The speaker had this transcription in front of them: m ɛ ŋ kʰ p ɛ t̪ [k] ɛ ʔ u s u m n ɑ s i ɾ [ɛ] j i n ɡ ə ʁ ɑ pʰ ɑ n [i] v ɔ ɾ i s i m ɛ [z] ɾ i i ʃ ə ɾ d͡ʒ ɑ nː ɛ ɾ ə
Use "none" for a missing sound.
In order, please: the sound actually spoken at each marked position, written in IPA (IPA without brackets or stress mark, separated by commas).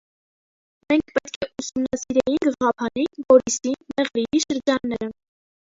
kʰ, ɛ, i, ʁ